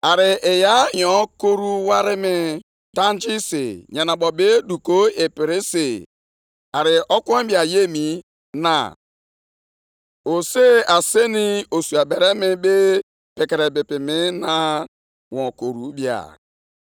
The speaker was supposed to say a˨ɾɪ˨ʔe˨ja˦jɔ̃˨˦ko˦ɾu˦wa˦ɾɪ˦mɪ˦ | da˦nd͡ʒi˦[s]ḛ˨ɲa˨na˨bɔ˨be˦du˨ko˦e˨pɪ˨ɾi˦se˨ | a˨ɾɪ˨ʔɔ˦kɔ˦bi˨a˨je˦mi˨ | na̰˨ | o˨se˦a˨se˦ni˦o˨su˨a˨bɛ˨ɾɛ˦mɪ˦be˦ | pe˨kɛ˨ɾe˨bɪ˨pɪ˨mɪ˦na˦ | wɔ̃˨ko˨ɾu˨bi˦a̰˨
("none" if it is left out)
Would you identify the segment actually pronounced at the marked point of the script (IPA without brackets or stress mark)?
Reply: s